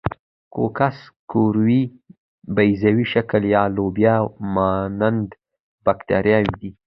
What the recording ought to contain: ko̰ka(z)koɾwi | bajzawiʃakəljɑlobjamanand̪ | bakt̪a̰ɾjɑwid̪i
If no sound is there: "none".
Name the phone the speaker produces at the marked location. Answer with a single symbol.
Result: s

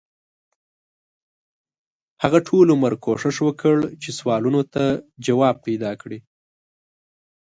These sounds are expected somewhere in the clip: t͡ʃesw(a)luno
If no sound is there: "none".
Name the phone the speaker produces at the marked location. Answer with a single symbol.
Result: ɑ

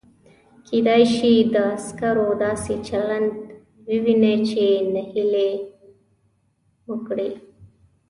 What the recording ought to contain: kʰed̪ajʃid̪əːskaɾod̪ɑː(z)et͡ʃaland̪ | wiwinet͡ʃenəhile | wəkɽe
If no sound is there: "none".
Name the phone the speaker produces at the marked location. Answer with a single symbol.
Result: s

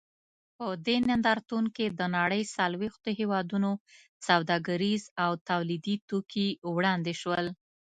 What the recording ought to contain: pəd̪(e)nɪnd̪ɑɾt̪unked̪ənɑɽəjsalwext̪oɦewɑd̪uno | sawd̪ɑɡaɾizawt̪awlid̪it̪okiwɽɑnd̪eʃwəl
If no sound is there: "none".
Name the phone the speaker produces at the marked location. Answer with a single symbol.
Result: e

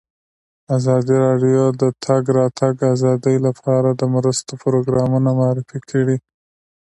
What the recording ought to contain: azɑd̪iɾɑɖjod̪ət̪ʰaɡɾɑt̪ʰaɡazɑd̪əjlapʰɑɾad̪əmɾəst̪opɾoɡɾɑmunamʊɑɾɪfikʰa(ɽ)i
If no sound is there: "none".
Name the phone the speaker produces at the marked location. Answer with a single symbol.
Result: ɽ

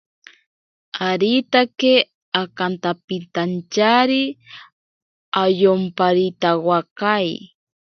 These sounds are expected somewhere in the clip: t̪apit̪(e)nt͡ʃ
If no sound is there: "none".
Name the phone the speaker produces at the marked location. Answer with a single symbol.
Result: a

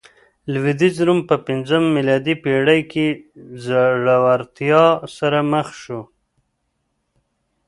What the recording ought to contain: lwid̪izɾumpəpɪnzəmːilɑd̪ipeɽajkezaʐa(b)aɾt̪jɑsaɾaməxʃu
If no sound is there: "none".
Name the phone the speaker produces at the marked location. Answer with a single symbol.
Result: w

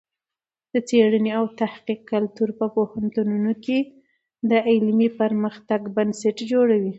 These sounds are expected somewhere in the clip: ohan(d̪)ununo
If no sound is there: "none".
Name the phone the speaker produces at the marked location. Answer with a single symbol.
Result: t̪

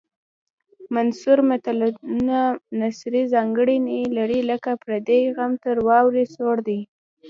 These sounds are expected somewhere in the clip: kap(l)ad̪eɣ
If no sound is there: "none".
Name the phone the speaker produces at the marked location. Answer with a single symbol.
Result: ɾ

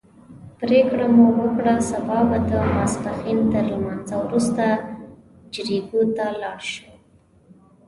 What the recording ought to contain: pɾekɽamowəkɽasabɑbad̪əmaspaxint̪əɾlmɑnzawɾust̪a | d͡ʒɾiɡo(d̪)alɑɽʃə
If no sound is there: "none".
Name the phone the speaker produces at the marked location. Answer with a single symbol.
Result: t̪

